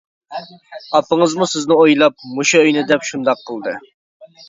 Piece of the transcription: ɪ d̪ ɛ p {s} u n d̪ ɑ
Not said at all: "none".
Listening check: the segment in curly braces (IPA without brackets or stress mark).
ʃ